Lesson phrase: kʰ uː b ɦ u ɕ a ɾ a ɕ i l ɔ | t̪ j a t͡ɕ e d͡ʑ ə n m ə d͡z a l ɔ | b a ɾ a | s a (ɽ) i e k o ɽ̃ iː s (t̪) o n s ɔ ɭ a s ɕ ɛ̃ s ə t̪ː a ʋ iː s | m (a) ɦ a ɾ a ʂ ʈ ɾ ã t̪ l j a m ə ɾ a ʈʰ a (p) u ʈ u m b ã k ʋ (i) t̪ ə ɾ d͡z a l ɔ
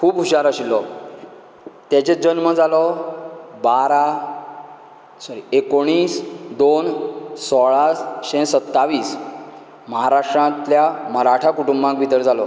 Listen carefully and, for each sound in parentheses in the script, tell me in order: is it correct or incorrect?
incorrect: ɾ, incorrect: d̪, incorrect: ə, incorrect: k, correct

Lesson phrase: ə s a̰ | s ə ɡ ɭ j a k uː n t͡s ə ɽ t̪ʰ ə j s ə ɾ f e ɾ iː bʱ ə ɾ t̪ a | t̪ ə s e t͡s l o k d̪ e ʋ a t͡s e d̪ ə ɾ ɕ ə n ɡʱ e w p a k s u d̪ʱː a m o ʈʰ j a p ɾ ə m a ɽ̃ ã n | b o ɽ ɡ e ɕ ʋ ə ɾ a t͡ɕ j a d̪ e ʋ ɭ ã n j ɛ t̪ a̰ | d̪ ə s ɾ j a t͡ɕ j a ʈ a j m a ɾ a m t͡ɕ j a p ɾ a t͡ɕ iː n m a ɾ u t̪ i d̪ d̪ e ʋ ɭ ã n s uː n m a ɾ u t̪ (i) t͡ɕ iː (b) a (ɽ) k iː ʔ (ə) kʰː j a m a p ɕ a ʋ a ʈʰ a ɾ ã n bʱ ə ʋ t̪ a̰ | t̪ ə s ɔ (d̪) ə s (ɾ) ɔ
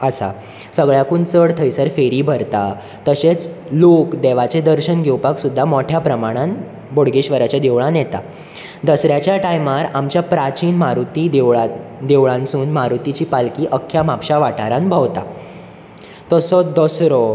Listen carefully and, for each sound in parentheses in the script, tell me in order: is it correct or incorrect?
correct, incorrect: p, incorrect: l, correct, correct, correct

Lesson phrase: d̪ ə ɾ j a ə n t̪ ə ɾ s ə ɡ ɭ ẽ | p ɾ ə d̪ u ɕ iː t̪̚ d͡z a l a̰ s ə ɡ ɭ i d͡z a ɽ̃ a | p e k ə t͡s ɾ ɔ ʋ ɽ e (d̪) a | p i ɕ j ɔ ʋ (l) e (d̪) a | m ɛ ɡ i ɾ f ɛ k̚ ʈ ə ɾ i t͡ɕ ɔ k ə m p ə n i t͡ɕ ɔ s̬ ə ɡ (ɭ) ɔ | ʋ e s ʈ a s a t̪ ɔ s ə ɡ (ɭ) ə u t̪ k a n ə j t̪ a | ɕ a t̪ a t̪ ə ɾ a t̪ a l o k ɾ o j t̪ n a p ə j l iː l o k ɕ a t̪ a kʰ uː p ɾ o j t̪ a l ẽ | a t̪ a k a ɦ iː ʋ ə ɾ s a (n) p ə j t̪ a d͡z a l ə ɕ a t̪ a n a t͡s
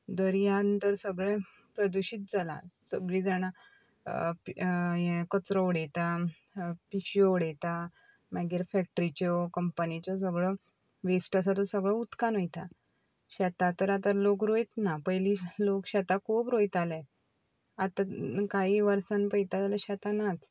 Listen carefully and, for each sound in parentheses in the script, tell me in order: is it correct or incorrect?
incorrect: t̪, incorrect: ɽ, incorrect: t̪, correct, correct, correct

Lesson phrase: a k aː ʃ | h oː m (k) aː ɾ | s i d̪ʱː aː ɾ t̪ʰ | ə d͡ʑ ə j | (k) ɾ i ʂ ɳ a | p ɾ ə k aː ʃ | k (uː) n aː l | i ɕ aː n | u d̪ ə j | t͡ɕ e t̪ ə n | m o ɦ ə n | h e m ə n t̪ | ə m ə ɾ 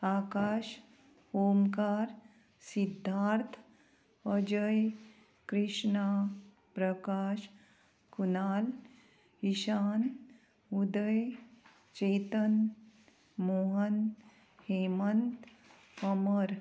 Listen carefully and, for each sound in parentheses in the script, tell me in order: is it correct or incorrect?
correct, correct, incorrect: u

